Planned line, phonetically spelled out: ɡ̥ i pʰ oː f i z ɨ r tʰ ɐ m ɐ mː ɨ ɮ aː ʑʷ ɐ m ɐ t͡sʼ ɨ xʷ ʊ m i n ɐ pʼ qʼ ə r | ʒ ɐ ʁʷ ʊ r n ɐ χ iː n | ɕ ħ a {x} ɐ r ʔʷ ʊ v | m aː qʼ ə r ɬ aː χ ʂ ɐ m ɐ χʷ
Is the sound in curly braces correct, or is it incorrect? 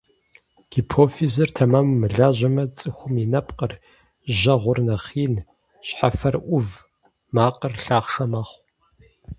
incorrect